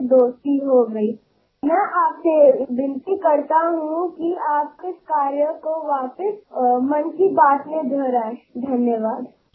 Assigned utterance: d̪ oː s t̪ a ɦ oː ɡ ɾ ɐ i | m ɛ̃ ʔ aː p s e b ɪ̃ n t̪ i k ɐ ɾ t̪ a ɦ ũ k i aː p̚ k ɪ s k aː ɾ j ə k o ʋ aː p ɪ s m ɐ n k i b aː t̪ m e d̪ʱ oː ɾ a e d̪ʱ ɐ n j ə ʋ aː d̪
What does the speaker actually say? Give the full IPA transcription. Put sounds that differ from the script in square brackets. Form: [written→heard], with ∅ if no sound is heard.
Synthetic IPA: d̪ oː s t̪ [a→i] ɦ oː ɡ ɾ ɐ i | m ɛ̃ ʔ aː p s e b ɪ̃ n t̪ i k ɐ ɾ t̪ a ɦ ũ k i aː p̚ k ɪ s k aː ɾ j ə k o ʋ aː p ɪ s m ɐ n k i b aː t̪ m e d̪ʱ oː ɾ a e d̪ʱ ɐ n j ə ʋ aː d̪